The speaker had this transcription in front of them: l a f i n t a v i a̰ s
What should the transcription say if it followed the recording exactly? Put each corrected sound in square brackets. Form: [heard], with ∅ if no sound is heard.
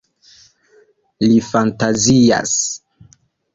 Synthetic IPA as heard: l [i] f [a] n t a [z] i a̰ s